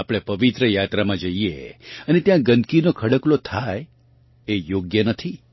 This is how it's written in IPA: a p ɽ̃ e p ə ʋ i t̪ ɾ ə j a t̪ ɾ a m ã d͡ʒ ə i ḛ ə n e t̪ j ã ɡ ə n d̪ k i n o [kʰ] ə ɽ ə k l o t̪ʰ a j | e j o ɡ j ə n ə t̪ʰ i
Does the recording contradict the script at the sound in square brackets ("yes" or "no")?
no